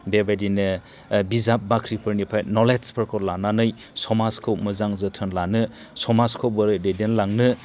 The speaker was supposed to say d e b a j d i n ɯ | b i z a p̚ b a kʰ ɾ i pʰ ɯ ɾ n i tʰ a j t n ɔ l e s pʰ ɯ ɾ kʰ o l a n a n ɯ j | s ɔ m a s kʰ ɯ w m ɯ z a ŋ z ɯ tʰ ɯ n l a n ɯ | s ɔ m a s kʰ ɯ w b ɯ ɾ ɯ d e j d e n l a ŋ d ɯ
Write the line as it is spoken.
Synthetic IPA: b e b a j d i n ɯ | b i z a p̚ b a kʰ ɾ i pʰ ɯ ɾ n i pʰ a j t n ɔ l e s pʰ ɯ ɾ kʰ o l a n a n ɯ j | s ɔ m a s kʰ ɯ w m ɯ z a ŋ z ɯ tʰ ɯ n l a n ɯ | s ɔ m a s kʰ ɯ w b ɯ ɾ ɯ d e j d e n l a ŋ n ɯ